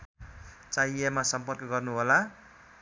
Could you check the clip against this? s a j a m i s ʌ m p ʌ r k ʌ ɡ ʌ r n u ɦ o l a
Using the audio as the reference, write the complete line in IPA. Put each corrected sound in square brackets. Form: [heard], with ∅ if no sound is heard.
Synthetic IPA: [t͡s] a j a m [a] s ʌ m p ʌ r k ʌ ɡ ʌ r n u ɦ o l a